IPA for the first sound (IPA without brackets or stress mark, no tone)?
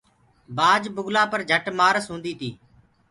b